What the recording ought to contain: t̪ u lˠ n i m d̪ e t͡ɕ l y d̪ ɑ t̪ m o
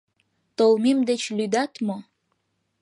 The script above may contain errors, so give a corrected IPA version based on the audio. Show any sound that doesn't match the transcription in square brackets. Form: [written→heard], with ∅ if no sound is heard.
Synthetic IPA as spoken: t̪ [u→o] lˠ [n→m] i m d̪ e t͡ɕ l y d̪ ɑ t̪ m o